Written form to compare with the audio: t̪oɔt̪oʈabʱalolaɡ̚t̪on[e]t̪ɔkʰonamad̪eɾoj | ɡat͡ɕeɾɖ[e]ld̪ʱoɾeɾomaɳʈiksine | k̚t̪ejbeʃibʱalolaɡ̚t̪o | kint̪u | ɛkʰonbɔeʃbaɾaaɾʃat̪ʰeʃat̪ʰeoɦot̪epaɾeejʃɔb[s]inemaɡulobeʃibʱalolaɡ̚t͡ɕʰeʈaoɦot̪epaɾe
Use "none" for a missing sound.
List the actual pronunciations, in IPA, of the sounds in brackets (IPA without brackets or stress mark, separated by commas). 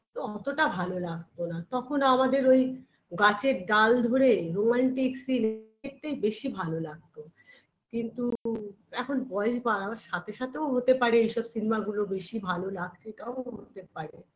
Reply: a, a, s